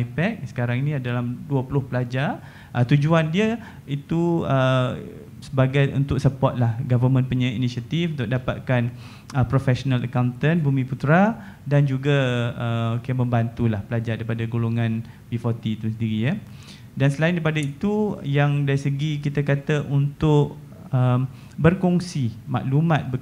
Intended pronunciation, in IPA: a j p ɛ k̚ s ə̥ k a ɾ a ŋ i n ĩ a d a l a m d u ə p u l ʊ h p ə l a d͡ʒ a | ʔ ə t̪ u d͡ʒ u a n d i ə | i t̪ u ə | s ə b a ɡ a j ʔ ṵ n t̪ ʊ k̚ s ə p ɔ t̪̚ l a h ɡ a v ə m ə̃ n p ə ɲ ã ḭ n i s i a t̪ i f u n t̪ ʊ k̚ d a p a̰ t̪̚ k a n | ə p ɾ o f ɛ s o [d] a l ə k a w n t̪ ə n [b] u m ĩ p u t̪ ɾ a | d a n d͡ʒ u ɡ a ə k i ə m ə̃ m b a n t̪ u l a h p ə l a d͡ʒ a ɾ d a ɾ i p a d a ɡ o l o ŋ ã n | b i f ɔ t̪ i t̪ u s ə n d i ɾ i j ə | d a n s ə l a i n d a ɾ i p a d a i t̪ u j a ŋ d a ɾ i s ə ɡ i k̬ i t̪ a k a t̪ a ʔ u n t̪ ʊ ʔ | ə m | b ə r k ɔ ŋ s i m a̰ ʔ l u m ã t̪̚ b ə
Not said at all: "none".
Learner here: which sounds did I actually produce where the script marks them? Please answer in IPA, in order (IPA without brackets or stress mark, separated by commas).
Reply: n, b